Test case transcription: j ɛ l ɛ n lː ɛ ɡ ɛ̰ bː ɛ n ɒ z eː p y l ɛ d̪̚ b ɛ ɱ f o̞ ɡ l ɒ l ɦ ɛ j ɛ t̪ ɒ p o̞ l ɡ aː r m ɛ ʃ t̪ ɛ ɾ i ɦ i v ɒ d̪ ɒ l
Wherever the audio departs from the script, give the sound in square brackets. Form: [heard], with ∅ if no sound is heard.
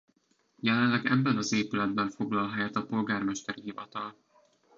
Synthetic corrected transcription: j ɛ l ɛ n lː ɛ ɡ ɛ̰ bː ɛ n ɒ z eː p y l ɛ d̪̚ b ɛ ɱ f o̞ ɡ l ɒ l ɦ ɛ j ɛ t̪ ɒ p o̞ l ɡ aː r m ɛ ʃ t̪ ɛ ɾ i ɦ i v ɒ [t̪] ɒ l